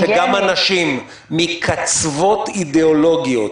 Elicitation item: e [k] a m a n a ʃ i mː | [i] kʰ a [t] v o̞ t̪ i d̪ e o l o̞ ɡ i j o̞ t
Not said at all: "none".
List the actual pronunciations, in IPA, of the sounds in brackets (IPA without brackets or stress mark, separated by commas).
ɡ, i, t͡s